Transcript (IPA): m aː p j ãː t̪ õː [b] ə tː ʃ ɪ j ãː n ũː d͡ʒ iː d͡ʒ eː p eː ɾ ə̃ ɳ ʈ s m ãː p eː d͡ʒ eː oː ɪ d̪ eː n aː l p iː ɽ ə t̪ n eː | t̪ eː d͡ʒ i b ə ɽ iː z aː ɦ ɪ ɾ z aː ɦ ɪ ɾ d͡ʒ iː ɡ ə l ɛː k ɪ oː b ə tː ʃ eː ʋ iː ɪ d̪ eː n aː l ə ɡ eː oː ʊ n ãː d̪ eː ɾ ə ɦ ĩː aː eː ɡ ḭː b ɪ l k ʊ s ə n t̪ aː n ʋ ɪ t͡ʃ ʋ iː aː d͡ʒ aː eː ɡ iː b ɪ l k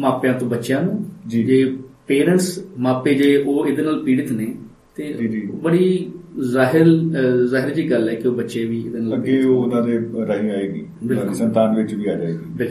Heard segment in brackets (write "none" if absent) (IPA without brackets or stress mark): b